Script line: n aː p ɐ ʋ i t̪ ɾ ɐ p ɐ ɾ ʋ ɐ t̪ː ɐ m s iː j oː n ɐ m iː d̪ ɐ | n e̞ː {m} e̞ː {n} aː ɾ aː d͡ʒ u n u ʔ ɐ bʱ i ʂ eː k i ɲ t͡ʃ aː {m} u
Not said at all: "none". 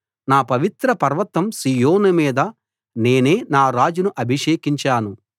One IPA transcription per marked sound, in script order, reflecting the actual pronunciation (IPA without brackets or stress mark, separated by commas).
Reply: n, n, n